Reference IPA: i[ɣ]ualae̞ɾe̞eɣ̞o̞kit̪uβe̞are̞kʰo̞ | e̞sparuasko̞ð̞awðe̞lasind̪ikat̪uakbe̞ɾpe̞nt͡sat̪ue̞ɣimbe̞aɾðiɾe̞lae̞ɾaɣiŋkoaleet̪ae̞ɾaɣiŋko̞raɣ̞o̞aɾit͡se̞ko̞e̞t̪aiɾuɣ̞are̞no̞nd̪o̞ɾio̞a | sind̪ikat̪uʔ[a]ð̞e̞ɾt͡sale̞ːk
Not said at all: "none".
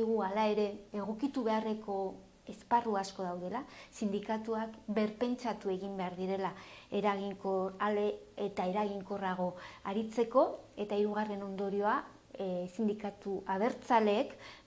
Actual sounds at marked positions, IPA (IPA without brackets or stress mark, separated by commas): ɣ, a